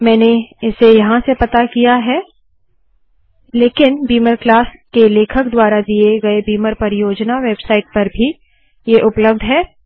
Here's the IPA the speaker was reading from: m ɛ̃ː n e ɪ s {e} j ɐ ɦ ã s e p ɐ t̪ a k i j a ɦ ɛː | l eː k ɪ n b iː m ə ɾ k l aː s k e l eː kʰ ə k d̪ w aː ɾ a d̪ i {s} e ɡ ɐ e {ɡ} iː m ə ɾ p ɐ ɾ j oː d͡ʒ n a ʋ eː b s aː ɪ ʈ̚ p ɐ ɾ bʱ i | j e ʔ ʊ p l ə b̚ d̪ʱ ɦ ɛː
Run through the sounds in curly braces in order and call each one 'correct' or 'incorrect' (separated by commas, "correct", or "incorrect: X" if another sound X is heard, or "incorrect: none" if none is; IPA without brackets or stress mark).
correct, incorrect: none, incorrect: b